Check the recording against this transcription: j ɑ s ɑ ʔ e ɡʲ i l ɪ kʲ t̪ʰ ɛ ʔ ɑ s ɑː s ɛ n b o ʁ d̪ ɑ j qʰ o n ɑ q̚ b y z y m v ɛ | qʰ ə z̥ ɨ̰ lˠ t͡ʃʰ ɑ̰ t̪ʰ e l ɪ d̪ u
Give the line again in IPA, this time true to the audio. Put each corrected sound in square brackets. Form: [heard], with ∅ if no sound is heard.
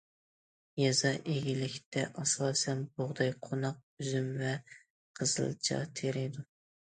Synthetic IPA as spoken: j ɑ [z] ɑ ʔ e ɡʲ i l ɪ kʲ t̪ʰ ɛ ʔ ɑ s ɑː s ɛ n b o ʁ d̪ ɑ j qʰ o n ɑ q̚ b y z y m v ɛ | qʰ ə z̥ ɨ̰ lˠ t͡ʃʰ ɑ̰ t̪ʰ e [ɾ] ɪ d̪ u